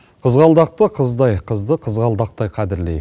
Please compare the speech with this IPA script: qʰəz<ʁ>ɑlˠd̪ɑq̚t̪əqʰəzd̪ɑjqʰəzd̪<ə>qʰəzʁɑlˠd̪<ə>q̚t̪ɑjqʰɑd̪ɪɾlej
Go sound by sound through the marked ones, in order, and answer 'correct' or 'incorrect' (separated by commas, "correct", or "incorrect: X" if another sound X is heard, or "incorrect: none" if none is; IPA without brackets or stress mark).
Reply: correct, correct, incorrect: ɑ